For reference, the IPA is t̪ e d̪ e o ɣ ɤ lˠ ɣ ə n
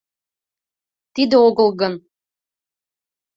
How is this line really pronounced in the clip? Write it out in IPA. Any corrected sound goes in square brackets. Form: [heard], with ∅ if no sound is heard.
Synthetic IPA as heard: t̪ [i] d̪ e o ɣ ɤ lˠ ɣ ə n

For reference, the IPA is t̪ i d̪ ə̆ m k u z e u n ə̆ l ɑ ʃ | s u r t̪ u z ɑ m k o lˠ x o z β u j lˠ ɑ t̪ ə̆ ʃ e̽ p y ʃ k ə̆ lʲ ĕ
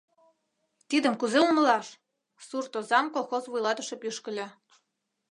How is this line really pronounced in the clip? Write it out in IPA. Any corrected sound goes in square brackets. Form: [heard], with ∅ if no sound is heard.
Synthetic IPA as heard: t̪ i d̪ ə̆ m k u z e u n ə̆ l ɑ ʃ | s u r t̪ [o] z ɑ m k o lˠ x o z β u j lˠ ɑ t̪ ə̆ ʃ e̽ p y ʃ k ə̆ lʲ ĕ

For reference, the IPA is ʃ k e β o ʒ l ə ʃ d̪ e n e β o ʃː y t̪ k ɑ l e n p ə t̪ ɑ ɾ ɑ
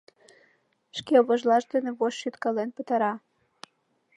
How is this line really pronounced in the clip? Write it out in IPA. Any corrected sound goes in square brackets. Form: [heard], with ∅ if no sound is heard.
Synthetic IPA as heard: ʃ k e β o ʒ l [ɑ] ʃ d̪ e n e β o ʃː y t̪ k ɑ l e n p ə t̪ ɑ ɾ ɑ

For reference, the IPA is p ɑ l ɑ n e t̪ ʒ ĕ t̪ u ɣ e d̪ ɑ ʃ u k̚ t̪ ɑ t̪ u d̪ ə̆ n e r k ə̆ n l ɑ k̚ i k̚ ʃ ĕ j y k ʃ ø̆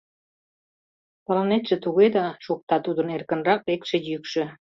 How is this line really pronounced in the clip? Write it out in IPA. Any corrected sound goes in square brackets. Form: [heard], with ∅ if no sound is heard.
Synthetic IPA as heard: p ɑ l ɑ n e t̪ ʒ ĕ t̪ u ɣ e d̪ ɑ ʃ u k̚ t̪ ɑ t̪ u d̪ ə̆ n e r k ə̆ n [r] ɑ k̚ [e] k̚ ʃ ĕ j y k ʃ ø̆

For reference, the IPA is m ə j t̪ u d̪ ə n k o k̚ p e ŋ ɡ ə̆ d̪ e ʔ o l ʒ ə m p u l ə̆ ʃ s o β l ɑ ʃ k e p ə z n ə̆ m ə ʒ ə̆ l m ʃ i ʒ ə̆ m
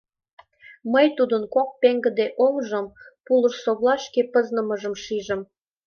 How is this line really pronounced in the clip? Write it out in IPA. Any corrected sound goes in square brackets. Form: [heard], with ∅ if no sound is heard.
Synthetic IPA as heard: m ə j t̪ u d̪ ə n k o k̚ p e ŋ ɡ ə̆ d̪ e ʔ o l ʒ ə m p u l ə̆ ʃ s o β l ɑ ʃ k e p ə z n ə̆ m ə ʒ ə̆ [∅] m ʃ i ʒ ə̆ m

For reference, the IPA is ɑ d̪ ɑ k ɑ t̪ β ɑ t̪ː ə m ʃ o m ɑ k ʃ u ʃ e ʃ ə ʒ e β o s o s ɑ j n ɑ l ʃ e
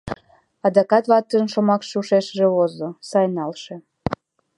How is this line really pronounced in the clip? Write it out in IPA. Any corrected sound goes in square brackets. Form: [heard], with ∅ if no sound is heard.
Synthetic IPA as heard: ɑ d̪ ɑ k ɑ t̪ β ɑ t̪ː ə [n] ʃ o m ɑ k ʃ u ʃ e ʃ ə ʒ e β o [z] o s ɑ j n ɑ l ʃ e

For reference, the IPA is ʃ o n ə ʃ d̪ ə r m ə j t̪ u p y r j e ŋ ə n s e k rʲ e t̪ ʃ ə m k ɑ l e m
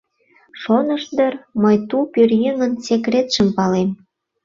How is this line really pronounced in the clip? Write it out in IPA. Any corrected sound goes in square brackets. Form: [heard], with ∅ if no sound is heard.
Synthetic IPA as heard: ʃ o n ə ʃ d̪ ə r m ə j t̪ u p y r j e ŋ ə n s e k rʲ e t̪ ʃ ə m [p] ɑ l e m

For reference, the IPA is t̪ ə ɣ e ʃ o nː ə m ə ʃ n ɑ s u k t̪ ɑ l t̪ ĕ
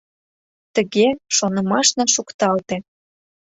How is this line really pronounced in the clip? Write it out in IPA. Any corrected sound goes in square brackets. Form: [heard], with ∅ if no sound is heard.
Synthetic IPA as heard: t̪ ə ɣ e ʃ o [n] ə m [ɑ] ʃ n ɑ [ʃ] u k t̪ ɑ l t̪ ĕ

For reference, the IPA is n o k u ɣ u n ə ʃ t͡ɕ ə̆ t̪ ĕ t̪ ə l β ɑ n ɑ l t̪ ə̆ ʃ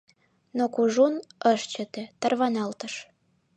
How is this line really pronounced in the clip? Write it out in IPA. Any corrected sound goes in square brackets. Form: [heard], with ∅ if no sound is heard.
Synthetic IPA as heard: n o k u [ʒ] u n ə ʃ t͡ɕ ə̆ t̪ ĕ t̪ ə [r] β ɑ n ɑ l t̪ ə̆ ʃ

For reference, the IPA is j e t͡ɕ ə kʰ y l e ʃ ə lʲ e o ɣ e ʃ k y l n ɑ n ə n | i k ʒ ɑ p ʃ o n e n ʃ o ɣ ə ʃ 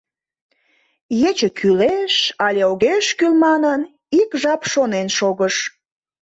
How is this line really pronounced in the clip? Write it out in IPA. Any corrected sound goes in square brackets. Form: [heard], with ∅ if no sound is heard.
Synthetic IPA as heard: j e t͡ɕ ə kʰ y l e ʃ [ɑ] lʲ e o ɣ e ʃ k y l [m] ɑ n ə n | i k ʒ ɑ p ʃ o n e n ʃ o ɣ ə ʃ

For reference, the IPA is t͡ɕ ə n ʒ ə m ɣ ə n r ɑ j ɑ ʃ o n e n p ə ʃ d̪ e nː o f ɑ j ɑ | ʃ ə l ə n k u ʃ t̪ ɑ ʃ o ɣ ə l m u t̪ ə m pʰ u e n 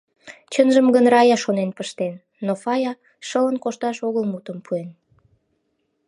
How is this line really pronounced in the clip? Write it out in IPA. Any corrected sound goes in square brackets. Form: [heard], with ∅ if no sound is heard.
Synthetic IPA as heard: t͡ɕ ə n ʒ ə m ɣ ə n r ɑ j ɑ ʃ o n e n p ə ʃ [t̪] e nː o f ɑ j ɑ | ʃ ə l ə n k [o] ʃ t̪ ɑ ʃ o ɣ ə l m u t̪ ə m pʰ u e n

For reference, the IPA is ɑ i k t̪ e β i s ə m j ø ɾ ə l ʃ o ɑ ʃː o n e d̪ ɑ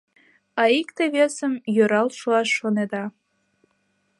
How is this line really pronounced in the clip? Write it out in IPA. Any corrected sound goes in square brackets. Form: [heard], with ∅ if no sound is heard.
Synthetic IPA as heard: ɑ i k t̪ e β [e] s ə m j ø ɾ [ɑ] l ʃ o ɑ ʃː o n e d̪ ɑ

